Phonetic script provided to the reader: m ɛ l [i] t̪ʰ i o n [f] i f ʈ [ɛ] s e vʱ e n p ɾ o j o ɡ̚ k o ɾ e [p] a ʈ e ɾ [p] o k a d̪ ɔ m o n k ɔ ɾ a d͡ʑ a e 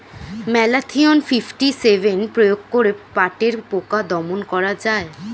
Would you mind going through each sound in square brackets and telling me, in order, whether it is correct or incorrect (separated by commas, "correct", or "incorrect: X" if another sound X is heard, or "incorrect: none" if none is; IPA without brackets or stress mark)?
incorrect: a, correct, incorrect: i, correct, correct